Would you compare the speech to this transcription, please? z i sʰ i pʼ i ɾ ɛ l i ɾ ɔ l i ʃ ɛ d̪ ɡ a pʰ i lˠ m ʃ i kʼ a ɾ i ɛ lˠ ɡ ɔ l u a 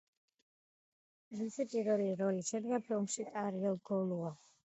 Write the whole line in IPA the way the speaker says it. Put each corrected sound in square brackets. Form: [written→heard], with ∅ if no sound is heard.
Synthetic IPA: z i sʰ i pʼ i ɾ ɛ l i ɾ ɔ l i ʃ ɛ d̪ ɡ a pʰ i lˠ m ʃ i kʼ a ɾ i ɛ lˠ ɡ ɔ l u a